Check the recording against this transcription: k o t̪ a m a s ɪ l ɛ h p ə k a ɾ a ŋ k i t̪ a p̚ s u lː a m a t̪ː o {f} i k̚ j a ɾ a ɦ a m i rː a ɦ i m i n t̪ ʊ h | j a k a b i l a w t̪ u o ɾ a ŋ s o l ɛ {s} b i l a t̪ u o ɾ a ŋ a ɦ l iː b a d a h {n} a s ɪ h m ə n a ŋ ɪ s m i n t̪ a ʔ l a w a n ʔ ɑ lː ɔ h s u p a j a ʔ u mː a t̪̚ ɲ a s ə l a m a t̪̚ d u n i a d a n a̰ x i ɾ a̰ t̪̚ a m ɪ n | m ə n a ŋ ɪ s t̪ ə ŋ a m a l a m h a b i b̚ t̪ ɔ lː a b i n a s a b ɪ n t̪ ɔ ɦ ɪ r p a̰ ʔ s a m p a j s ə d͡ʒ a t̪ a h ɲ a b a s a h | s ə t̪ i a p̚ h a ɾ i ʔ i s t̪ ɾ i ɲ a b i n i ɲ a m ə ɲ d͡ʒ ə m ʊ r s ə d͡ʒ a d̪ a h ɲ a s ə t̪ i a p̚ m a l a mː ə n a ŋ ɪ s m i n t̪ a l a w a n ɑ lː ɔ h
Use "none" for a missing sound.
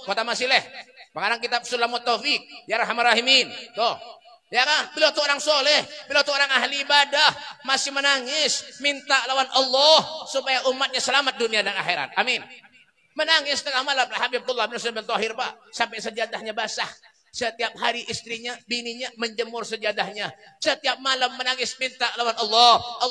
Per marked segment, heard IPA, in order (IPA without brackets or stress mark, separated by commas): f, h, m